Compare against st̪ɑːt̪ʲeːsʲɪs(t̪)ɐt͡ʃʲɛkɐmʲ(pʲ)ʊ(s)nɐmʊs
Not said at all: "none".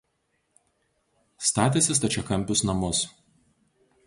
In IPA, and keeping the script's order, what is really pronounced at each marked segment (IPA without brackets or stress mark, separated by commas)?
t̪, pʲ, s